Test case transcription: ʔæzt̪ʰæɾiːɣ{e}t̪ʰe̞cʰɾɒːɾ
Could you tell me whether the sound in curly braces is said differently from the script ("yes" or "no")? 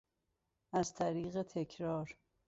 no